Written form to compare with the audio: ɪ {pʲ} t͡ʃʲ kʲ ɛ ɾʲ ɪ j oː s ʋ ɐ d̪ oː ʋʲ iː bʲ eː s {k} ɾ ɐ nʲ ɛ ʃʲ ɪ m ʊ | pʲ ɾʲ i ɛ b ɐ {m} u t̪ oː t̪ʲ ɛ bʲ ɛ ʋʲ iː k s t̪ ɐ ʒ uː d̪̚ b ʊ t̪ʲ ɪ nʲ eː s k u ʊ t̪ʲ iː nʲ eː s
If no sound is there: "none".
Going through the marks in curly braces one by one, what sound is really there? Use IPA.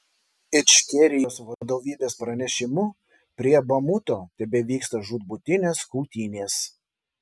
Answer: none, p, m

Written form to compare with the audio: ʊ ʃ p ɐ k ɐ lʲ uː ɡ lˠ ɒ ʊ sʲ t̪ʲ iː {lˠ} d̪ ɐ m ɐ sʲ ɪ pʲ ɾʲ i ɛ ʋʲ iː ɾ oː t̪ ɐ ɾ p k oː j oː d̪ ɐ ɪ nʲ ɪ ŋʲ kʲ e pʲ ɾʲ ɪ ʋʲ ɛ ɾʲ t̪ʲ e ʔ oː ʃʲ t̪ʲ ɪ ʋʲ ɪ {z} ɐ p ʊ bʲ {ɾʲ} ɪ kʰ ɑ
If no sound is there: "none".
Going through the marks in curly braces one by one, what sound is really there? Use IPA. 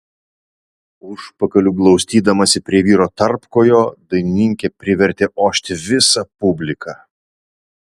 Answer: none, s, lʲ

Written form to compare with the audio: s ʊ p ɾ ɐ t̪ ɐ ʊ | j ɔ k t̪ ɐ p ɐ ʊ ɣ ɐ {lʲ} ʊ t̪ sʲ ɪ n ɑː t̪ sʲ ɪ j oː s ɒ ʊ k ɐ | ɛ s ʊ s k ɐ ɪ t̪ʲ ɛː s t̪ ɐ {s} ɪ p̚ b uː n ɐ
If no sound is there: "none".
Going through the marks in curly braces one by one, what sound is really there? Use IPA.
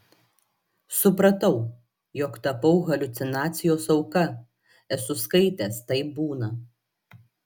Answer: lʲ, none

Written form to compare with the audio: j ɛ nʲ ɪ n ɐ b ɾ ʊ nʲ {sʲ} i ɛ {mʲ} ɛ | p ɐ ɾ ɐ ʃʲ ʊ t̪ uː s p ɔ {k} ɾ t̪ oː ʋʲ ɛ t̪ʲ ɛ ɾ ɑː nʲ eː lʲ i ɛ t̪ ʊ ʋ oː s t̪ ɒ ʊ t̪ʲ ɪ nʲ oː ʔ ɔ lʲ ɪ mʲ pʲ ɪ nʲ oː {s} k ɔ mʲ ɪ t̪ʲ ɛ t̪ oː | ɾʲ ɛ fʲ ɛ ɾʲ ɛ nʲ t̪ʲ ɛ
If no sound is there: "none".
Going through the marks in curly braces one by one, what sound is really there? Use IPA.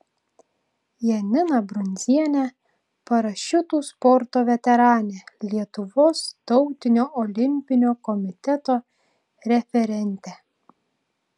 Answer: zʲ, nʲ, none, none

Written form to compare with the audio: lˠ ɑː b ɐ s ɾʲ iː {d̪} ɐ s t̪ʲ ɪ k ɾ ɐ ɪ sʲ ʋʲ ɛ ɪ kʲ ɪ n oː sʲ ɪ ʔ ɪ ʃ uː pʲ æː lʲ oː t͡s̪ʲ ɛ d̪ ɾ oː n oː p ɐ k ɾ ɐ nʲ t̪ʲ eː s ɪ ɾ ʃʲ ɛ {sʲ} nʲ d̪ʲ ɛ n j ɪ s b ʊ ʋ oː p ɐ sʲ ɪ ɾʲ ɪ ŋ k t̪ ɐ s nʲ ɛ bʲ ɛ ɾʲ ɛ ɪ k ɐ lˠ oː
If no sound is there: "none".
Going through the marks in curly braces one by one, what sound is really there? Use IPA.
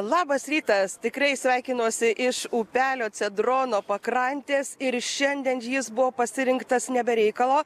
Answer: t̪, none

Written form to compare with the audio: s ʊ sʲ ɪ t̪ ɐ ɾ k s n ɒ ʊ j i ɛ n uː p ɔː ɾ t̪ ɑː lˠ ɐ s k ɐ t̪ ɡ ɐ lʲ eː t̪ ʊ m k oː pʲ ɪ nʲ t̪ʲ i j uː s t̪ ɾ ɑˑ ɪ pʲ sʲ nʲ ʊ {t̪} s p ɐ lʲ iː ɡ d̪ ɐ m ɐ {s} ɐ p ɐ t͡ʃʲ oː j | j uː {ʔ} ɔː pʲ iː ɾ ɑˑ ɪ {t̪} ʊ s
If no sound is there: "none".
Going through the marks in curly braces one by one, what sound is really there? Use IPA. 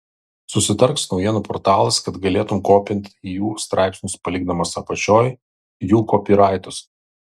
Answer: none, s, k, t̪

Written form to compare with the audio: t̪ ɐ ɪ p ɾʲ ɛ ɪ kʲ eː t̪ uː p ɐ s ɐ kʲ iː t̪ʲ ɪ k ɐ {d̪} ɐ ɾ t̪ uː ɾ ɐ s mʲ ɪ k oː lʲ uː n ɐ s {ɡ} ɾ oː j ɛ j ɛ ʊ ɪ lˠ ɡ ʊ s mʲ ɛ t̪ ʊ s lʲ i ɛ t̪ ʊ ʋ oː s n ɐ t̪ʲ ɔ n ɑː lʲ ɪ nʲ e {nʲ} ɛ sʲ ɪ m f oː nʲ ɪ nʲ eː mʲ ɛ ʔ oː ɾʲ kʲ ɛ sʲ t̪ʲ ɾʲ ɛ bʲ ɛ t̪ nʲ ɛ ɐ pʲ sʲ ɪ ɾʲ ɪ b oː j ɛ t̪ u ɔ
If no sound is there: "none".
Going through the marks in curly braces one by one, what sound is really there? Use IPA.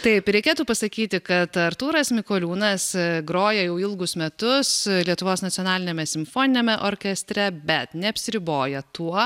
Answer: t̪, ɡ, mʲ

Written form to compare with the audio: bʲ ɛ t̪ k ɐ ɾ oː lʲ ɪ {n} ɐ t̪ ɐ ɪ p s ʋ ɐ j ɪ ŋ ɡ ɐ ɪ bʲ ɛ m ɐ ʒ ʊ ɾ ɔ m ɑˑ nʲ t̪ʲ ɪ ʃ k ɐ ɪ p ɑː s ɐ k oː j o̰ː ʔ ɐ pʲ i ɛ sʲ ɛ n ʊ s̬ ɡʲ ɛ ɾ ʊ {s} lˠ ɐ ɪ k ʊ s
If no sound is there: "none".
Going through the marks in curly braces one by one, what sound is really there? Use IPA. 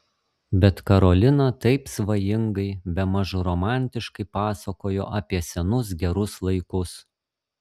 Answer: n, s

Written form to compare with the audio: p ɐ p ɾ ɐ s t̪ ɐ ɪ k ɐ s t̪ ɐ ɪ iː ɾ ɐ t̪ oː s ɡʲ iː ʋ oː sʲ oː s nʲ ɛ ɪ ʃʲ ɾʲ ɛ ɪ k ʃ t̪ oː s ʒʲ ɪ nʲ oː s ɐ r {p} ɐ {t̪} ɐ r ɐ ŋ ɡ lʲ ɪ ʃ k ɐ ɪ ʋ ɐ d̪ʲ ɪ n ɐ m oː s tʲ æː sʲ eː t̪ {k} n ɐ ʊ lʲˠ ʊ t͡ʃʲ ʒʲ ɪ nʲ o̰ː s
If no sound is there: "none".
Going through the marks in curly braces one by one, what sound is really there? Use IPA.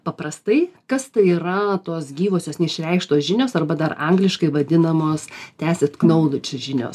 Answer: b, d̪, k

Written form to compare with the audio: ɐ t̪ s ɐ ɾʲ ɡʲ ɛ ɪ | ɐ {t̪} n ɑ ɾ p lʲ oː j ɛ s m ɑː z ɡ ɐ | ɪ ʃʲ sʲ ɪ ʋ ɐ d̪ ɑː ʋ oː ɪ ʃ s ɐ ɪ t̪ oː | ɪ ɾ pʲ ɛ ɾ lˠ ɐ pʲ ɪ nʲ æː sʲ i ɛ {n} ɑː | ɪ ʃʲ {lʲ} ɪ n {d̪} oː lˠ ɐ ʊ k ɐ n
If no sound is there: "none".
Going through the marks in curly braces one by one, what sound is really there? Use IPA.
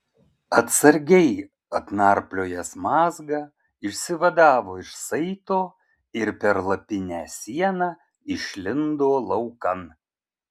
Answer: t̪, n, lʲ, d̪

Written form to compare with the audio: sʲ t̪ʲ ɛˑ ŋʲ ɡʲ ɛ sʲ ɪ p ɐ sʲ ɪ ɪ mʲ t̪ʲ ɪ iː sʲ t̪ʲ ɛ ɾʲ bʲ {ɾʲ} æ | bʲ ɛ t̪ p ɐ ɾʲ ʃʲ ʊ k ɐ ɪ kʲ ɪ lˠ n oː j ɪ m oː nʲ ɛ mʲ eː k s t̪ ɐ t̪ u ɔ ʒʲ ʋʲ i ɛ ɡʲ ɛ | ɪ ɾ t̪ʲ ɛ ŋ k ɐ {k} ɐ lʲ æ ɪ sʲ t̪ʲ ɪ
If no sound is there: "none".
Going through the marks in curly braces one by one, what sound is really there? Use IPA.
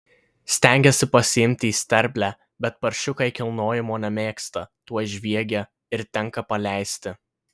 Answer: lʲ, p

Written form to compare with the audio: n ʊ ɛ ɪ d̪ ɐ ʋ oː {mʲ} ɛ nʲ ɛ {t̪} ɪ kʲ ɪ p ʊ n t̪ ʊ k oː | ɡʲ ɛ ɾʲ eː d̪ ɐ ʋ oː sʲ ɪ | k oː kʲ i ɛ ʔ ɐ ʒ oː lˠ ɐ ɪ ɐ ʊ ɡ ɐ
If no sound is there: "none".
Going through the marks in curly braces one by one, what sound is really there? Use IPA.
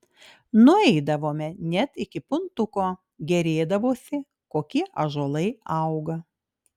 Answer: mʲ, t̪

